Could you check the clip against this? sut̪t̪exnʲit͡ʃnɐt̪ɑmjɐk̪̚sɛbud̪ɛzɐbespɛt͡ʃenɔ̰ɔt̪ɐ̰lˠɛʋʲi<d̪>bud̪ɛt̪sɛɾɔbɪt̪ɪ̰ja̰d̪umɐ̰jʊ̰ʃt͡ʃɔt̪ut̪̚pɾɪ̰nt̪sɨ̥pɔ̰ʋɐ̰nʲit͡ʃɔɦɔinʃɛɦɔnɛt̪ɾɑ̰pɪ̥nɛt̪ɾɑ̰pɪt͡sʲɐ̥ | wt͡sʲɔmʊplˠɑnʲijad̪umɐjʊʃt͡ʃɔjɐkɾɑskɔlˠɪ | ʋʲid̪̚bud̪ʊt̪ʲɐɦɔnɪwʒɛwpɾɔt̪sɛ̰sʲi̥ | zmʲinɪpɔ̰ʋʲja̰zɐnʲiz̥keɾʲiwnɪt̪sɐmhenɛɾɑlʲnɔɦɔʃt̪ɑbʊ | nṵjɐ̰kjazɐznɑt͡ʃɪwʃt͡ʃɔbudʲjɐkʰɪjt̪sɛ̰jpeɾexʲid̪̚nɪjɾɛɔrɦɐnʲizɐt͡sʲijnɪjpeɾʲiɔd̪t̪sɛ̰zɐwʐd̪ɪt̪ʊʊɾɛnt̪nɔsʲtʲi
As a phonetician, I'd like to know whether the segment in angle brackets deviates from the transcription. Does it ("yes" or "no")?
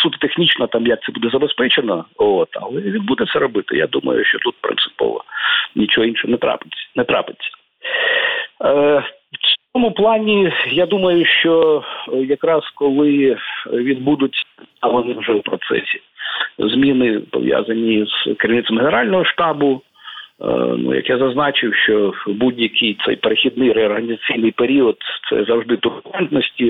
no